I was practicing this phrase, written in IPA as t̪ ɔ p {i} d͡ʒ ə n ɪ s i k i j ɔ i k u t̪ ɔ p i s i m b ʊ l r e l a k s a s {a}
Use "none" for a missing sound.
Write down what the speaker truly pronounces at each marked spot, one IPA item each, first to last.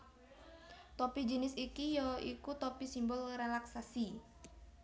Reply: i, i

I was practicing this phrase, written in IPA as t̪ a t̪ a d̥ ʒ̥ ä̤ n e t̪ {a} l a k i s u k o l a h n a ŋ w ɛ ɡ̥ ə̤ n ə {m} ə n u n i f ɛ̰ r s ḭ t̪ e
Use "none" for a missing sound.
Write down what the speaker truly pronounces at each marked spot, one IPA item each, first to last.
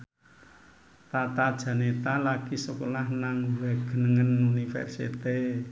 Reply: a, ŋ

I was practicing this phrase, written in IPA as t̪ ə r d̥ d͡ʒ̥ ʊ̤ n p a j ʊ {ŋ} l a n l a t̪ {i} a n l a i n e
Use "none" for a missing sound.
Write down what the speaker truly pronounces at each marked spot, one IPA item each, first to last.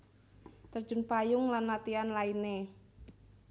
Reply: ŋ, i

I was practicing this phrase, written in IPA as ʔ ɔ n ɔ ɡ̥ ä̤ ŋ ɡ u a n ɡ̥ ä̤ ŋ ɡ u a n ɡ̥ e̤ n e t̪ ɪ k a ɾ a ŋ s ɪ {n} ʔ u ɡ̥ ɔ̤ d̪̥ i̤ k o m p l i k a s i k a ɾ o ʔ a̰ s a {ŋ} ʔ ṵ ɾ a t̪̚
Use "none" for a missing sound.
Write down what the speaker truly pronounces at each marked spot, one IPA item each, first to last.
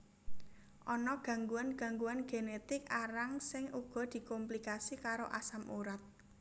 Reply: ŋ, m

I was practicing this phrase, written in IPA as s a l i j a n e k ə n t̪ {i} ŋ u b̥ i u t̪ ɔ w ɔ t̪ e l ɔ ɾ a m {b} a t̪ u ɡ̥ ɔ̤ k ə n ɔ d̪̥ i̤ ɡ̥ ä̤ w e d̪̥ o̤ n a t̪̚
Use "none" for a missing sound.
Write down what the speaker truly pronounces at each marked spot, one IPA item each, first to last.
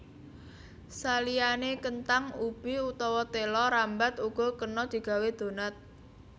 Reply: a, b

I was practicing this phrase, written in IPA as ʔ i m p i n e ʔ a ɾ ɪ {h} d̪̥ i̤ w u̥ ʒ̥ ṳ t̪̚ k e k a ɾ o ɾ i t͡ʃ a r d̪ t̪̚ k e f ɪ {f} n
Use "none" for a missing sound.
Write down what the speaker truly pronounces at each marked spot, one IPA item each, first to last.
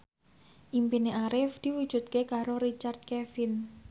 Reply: f, none

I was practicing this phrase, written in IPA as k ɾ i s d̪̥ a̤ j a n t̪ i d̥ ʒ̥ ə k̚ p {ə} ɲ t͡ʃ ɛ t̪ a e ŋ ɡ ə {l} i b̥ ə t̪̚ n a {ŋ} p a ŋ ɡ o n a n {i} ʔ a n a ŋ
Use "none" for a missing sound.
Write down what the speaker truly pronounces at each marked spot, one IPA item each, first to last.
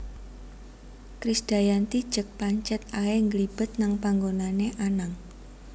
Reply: a, l, ŋ, e

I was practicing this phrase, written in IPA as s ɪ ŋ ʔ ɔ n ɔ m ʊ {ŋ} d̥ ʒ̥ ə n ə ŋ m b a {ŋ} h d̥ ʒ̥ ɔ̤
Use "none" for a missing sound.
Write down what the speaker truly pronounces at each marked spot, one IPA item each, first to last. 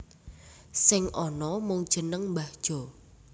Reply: ŋ, none

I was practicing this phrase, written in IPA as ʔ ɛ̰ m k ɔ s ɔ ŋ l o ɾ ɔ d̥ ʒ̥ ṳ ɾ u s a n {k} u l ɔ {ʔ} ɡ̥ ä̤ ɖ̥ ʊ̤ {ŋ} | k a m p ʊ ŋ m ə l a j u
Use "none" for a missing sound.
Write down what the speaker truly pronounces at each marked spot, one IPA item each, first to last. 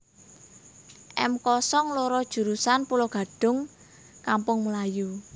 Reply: p, none, ŋ

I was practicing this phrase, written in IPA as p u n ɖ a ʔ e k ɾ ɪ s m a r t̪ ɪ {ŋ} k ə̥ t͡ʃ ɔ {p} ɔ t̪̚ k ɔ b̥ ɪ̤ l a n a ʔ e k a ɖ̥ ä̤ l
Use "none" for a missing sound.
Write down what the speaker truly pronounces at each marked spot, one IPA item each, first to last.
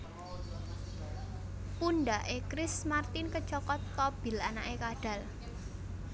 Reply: n, k

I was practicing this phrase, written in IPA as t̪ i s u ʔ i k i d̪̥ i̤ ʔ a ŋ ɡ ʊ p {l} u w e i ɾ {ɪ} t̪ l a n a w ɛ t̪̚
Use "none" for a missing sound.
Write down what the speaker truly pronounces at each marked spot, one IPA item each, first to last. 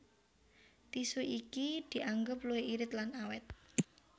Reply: l, ɪ

